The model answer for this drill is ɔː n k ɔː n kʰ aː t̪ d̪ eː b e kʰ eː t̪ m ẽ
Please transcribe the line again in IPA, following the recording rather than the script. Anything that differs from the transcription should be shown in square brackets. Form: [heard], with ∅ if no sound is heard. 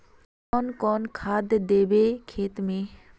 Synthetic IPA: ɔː n k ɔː n kʰ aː [d̪] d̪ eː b e kʰ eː t̪ m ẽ